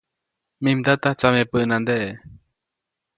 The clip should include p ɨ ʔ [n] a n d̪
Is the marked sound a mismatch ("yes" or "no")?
no